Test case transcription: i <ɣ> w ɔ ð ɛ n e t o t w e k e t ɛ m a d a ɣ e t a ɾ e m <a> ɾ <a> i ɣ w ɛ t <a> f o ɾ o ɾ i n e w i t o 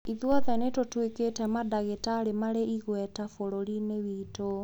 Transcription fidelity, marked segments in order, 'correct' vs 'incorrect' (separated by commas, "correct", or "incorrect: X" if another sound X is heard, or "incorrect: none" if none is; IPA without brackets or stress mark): incorrect: ð, correct, incorrect: e, correct